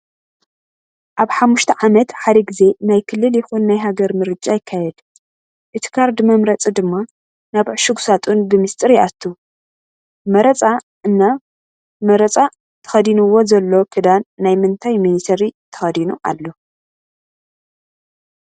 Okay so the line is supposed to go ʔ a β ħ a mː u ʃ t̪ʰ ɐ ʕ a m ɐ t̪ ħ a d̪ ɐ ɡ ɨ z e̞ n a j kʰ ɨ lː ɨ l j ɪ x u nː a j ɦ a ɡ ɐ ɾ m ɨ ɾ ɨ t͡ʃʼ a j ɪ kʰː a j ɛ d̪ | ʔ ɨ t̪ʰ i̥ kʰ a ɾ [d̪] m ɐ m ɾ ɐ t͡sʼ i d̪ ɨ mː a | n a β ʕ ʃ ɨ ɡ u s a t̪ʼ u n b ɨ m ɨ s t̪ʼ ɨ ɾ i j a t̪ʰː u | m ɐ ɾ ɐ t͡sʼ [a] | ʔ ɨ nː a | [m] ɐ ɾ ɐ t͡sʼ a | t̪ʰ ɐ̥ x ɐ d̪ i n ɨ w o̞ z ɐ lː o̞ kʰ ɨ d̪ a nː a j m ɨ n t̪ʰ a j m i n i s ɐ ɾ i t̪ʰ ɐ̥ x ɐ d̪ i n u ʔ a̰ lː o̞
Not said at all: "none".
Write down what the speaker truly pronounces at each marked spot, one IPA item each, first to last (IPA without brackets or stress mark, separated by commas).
d̪, a, m